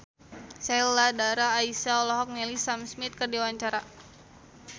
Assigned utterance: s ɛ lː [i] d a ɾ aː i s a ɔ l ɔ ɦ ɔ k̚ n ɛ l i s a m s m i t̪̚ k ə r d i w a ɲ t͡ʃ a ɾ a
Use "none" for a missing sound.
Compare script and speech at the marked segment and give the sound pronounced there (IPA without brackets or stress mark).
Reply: a